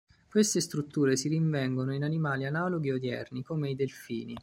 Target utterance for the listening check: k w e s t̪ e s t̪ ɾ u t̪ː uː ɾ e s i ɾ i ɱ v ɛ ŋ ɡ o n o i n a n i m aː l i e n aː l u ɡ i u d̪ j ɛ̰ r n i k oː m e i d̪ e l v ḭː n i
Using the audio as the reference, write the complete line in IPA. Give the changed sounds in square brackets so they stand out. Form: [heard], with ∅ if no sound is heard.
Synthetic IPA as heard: k w e s t̪ e s t̪ ɾ u t̪ː uː ɾ e s i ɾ i ɱ v ɛ ŋ ɡ o n o i n a n i m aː l i [a] n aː l [o] ɡ i [o] d̪ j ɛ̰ r n i k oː m e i d̪ e l [f] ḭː n i